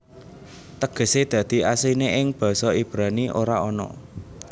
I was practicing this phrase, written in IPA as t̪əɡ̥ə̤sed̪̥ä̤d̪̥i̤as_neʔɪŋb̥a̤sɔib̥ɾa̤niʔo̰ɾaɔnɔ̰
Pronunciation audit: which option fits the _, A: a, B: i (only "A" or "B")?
B